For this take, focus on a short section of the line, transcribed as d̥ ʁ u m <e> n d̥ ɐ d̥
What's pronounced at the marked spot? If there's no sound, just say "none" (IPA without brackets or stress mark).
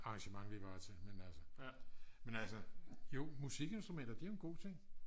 e